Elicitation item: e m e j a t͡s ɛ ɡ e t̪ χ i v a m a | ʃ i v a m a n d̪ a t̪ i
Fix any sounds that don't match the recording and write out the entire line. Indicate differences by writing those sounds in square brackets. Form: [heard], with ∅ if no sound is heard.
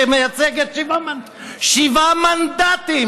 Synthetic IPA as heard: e m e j a t͡s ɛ ɡ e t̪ [ʃ] i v a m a | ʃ i v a m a n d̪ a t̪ i

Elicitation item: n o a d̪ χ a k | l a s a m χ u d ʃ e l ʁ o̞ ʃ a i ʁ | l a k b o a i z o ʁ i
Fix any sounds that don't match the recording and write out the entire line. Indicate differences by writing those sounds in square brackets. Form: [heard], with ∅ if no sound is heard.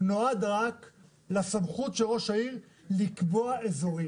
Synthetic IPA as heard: n o a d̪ [ʁ] a k | l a s a m χ u [t] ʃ e l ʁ o̞ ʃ a i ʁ | l [i] k b o a [e] z o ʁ i

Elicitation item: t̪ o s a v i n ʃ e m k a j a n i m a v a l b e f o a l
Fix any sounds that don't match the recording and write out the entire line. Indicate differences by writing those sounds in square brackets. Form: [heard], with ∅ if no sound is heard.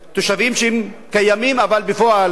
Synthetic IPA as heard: t̪ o [ʃ] a v i [m] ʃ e m k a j a [m] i m a v a l b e f o a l

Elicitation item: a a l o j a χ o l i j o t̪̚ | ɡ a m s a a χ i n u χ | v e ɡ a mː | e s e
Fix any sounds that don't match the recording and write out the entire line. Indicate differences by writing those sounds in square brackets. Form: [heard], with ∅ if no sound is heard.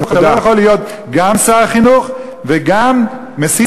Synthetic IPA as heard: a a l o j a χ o l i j o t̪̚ | ɡ a m s a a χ i n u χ | v e ɡ a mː | e s [i]

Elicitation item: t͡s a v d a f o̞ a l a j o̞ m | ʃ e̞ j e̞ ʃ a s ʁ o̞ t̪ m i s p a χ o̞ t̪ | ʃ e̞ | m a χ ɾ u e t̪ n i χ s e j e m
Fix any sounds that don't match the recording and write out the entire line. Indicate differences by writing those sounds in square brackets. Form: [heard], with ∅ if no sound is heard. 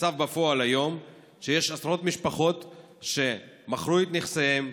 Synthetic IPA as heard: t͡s a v [b] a f o̞ a l a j o̞ m | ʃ e̞ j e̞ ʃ a s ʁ o̞ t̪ m i [ʃ] p a χ o̞ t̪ | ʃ e̞ | m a χ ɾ u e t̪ n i χ s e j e m

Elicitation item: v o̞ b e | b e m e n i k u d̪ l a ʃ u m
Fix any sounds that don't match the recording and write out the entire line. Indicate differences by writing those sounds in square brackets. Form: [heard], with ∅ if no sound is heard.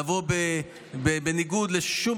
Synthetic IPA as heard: v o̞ b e | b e [b] e n i [ɡ] u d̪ l [e] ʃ u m

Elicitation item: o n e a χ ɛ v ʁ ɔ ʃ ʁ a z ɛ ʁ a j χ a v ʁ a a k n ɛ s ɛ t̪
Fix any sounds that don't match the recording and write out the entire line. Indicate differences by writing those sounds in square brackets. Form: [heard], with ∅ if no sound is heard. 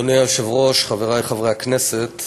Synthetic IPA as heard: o n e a [ʃ] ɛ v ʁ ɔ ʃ [χ] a [v] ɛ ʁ a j χ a v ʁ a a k n ɛ s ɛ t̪

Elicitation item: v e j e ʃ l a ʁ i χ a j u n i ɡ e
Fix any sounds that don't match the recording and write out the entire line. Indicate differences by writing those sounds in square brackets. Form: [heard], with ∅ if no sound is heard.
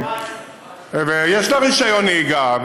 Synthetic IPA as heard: v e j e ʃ l a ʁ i [ʃ] a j [o] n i ɡ [a]

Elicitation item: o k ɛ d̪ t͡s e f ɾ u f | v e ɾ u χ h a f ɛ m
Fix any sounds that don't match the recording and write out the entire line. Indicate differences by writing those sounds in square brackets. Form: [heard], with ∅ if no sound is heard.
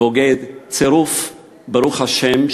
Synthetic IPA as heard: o [ɡ] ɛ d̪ t͡s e [∅] ɾ u f | [b] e ɾ u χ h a [ʃ] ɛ m

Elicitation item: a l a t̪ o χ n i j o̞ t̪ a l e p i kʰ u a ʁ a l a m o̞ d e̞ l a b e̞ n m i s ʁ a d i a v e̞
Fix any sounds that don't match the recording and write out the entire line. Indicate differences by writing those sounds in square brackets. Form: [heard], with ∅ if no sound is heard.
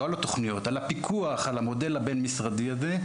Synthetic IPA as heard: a l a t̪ o χ n i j o̞ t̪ a l [a] p i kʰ u a [χ] a l a m o̞ d e̞ l a b e̞ n m i s ʁ a d i a [z] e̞

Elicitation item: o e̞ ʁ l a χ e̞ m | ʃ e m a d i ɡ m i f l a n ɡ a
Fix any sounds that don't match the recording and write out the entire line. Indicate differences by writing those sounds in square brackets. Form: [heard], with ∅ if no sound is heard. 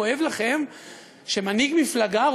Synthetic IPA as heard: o e̞ [v] l a χ e̞ m | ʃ e m a [n] i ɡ m i f l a [∅] ɡ a

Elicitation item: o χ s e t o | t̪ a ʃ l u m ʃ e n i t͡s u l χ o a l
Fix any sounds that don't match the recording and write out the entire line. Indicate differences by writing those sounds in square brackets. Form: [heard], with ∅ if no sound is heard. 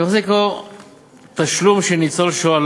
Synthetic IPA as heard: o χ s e [k] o | t̪ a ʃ l u m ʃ e n i t͡s [o] l [ʃ] o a l

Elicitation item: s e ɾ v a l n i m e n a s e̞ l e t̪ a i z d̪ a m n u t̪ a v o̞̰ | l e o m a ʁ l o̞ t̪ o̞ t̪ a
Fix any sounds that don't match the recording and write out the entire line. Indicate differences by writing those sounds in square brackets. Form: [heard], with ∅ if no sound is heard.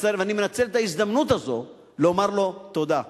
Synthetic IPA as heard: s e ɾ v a [∅] n i m e n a [t͡s] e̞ l e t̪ a i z d̪ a m n u t̪ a [z] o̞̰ | l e o m a ʁ l o̞ t̪ o̞ [d̪] a

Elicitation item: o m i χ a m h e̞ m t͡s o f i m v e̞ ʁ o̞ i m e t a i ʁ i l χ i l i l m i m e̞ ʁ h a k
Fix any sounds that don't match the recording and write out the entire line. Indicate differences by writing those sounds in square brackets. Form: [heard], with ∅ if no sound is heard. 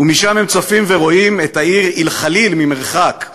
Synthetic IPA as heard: [u] m i [ʃ] a m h e̞ m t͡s o f i m v e̞ ʁ o̞ i m e t a i ʁ i l χ [a] l i l m i m e̞ ʁ [χ] a k

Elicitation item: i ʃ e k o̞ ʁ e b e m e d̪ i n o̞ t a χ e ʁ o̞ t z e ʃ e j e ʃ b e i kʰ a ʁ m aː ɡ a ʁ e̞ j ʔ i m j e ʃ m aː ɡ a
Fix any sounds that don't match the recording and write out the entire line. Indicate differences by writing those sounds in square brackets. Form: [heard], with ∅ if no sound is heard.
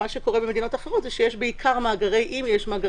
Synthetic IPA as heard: [a] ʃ e k o̞ ʁ e b e m e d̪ i n o̞ t a χ e ʁ o̞ t z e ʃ e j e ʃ b e i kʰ a ʁ m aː ɡ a ʁ e̞ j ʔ i m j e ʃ m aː ɡ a

